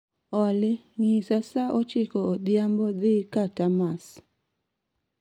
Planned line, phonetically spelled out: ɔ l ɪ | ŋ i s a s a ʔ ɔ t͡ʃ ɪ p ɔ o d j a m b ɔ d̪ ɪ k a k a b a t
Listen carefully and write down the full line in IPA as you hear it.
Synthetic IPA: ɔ l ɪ | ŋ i s a s a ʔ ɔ t͡ʃ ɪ k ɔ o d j a m b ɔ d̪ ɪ k a t a m a s